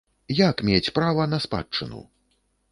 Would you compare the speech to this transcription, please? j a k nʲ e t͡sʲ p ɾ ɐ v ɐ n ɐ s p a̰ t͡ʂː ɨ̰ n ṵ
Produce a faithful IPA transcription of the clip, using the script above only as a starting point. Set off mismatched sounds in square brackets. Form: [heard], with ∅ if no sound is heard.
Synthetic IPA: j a k [mʲ] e t͡sʲ p ɾ [a] v ɐ n ɐ s p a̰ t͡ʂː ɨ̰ n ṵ

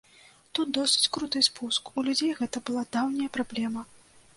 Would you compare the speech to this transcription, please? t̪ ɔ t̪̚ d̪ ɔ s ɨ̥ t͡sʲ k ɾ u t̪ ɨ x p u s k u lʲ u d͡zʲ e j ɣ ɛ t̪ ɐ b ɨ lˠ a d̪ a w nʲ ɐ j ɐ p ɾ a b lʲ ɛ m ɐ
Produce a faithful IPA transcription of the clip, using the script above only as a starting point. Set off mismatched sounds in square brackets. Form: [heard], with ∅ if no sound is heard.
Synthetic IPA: t̪ [u] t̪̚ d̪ ɔ s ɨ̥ t͡sʲ k ɾ u t̪ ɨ [s] p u s k u lʲ u d͡zʲ e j ɣ ɛ t̪ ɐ b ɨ lˠ a d̪ a w nʲ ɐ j ɐ p ɾ a b lʲ ɛ m ɐ

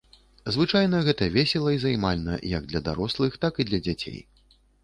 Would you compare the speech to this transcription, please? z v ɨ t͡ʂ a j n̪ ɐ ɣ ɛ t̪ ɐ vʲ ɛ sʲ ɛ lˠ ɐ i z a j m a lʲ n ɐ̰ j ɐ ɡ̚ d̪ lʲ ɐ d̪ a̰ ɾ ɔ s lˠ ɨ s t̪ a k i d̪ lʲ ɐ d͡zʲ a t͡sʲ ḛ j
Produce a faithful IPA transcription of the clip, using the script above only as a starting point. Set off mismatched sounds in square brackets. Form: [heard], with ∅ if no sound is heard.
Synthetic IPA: z v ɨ t͡ʂ a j n̪ ɐ ɣ ɛ t̪ ɐ vʲ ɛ sʲ ɛ lˠ ɐ i z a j m a lʲ n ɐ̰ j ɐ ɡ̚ d̪ lʲ ɐ d̪ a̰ ɾ ɔ s lˠ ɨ [x] t̪ a k i d̪ lʲ ɐ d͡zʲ a t͡sʲ ḛ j

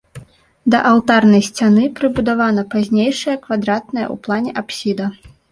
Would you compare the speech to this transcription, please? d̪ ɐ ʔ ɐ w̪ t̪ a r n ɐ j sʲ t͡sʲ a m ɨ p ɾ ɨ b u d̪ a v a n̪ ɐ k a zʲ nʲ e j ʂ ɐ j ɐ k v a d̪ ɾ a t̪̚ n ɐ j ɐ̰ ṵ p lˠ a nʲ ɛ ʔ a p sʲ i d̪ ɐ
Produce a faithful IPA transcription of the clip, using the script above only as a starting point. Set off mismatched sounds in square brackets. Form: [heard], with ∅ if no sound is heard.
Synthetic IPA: d̪ ɐ ʔ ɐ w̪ t̪ a r n ɐ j sʲ t͡sʲ a [n] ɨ p ɾ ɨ b u d̪ a v a n̪ ɐ [p] a zʲ nʲ e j ʂ ɐ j ɐ k v a d̪ ɾ a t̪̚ n ɐ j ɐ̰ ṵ p lˠ a nʲ ɛ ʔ a p sʲ i d̪ ɐ

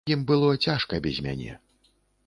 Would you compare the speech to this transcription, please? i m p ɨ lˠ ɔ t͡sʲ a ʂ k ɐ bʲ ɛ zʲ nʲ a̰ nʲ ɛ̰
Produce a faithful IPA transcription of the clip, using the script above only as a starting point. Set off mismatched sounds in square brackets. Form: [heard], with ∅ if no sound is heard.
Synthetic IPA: i m [b] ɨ lˠ ɔ t͡sʲ a ʂ k ɐ bʲ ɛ zʲ [mʲ] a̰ nʲ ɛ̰

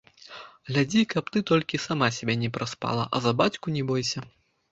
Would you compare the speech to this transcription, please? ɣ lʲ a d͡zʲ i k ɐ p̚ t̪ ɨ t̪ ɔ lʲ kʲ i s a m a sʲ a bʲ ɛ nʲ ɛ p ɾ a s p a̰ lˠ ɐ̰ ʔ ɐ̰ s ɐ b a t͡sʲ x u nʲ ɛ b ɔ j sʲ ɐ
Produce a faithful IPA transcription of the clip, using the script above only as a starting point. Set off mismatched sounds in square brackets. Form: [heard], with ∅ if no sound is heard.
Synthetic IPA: ɣ lʲ a d͡zʲ i k ɐ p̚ t̪ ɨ t̪ ɔ lʲ kʲ i s a m a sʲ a bʲ ɛ nʲ ɛ p ɾ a s p a̰ lˠ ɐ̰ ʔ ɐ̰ [z] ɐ b a t͡sʲ [k] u nʲ ɛ b ɔ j sʲ ɐ

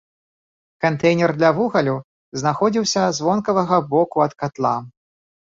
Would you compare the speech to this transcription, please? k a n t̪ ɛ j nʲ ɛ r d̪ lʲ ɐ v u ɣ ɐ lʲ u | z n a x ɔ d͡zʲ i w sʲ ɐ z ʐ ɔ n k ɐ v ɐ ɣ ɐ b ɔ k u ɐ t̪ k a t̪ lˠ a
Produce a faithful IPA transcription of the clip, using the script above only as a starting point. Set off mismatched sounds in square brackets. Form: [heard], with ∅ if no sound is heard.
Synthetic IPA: k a n t̪ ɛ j nʲ ɛ r d̪ lʲ ɐ v u ɣ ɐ lʲ u | z n a x ɔ d͡zʲ i w sʲ ɐ z [v] ɔ n k ɐ v ɐ ɣ ɐ b ɔ k u ɐ t̪ k a t̪ lˠ a

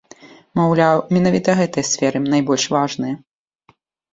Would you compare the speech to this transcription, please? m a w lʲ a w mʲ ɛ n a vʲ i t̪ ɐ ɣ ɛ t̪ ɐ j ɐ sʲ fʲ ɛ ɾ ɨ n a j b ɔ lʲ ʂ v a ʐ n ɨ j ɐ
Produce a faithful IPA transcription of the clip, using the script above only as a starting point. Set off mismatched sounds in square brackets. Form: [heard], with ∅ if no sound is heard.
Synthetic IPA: m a w lʲ a w mʲ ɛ n a vʲ i t̪ ɐ ɣ ɛ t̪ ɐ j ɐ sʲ fʲ ɛ ɾ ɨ n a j b ɔ lʲ ʂ v a ʐ n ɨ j ɐ

